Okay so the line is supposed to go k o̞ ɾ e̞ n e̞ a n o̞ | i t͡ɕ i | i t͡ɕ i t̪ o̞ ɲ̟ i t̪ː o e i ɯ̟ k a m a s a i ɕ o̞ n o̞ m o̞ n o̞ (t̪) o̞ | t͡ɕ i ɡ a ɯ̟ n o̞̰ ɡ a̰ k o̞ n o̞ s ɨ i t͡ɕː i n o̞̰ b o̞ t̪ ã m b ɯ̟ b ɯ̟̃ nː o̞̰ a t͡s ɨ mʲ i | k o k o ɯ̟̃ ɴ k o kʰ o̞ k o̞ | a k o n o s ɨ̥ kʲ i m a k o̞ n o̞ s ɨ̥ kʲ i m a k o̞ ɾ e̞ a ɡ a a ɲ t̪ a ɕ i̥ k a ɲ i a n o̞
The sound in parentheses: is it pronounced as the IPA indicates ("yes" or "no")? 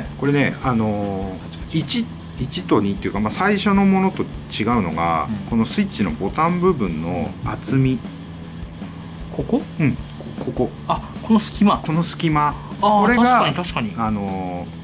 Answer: yes